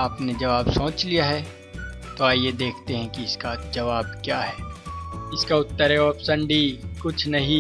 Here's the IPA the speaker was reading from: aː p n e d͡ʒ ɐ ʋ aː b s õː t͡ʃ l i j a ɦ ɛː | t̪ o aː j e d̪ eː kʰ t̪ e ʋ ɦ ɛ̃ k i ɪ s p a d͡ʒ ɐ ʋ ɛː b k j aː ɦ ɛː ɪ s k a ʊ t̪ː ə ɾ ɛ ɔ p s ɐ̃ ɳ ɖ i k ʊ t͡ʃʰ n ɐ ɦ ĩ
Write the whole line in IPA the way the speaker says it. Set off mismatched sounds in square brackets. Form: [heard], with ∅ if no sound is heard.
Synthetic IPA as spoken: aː p n e d͡ʒ ɐ ʋ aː b s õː t͡ʃ l i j a ɦ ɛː | t̪ o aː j e d̪ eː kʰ t̪ e [∅] ɦ ɛ̃ k i ɪ s [k] a d͡ʒ ɐ ʋ [aː] b k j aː ɦ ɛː ɪ s k a ʊ t̪ː ə ɾ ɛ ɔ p s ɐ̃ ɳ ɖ i k ʊ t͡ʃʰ n ɐ ɦ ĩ